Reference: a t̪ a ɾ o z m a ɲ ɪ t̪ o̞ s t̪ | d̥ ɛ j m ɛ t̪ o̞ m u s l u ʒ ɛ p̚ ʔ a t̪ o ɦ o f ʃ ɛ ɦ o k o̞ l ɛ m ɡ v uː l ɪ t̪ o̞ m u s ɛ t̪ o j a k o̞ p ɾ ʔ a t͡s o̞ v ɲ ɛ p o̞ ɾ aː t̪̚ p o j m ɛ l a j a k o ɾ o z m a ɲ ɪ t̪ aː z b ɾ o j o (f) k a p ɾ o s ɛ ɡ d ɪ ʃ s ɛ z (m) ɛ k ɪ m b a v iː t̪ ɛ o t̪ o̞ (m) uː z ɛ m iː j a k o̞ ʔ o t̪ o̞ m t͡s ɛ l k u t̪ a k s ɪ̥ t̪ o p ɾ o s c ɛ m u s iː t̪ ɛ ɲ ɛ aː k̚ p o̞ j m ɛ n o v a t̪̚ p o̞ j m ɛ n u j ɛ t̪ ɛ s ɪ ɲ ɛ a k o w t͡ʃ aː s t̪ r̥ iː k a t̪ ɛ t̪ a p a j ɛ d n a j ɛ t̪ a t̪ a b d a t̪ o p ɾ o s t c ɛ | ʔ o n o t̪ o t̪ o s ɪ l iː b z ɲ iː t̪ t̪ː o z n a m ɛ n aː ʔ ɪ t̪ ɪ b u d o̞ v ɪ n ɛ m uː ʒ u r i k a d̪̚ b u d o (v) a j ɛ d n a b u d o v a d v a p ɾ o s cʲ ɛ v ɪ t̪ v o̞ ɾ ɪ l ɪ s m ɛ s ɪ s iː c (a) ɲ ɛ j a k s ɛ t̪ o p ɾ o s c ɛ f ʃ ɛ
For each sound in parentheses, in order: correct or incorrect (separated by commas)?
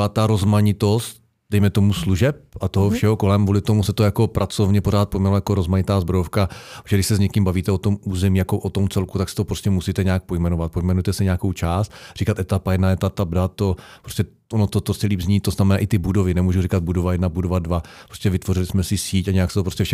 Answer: correct, incorrect, correct, correct, correct